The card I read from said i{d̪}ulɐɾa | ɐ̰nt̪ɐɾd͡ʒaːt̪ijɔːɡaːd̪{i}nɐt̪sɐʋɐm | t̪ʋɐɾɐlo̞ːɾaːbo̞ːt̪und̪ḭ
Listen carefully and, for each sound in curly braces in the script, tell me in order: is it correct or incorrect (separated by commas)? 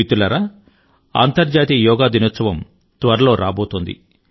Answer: incorrect, correct